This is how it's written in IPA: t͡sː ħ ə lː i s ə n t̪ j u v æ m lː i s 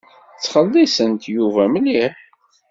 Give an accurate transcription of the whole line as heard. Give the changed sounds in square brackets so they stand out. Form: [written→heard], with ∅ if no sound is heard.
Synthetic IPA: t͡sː [ħ→χ] ə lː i s ə n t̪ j u v æ m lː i [s→ħ]